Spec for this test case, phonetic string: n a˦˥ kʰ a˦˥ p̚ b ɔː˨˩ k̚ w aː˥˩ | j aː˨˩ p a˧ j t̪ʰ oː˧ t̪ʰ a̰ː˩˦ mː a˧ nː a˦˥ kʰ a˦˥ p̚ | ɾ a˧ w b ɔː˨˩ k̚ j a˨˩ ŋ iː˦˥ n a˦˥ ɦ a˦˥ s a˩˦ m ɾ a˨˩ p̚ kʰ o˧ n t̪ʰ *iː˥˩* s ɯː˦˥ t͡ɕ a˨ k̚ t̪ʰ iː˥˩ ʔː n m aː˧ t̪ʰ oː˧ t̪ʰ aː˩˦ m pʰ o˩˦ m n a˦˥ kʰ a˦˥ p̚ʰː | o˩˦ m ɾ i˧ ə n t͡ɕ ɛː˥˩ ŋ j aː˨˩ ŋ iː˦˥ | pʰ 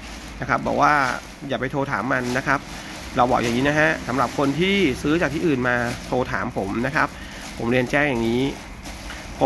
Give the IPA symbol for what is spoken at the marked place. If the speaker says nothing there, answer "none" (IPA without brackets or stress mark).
iː˥˩